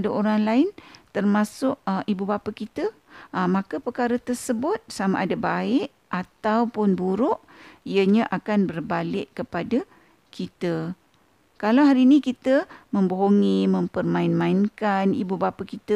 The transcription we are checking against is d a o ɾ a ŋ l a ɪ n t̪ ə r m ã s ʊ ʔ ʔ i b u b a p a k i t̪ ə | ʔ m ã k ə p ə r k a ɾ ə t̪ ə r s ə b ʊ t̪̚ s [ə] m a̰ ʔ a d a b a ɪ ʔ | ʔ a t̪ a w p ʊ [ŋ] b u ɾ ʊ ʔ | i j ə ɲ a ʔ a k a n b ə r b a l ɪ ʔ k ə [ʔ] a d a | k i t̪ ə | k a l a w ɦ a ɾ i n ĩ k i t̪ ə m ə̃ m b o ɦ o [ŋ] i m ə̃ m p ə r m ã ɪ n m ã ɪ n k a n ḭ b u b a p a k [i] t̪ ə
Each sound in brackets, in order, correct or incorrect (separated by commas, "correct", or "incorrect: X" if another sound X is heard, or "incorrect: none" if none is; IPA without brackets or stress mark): incorrect: a, incorrect: n, incorrect: p, correct, correct